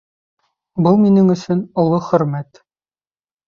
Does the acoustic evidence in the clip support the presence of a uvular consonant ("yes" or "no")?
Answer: yes